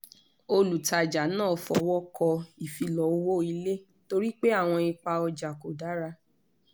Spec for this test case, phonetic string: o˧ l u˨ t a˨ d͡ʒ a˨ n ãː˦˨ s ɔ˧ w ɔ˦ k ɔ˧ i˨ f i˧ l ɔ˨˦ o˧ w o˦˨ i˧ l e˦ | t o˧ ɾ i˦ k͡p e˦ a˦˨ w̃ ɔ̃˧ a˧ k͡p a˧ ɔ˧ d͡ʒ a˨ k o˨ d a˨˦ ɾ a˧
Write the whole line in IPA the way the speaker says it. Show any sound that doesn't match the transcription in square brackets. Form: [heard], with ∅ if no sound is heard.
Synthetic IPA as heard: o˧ l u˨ t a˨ d͡ʒ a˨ n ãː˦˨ [f] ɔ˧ w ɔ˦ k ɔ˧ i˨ f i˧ l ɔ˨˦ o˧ w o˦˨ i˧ l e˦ | t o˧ ɾ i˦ k͡p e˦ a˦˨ w̃ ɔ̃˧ [i˧] k͡p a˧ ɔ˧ d͡ʒ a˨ k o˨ d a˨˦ ɾ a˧